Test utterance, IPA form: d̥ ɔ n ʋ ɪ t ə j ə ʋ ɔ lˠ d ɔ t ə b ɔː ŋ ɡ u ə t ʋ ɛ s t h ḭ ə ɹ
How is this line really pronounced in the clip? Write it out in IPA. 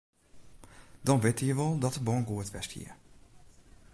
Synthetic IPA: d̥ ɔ n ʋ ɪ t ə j ə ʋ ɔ lˠ d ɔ t ə b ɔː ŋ ɡ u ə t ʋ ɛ s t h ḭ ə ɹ